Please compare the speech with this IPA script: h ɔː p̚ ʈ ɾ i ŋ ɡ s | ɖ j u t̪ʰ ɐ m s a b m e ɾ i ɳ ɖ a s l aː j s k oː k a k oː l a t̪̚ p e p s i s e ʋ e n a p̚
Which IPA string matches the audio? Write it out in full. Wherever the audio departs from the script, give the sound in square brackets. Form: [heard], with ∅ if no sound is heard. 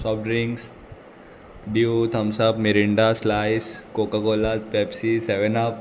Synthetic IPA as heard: [s] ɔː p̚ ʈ ɾ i ŋ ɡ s | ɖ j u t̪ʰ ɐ m s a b m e ɾ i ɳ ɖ a s l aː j s k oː k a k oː l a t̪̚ p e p s i s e ʋ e n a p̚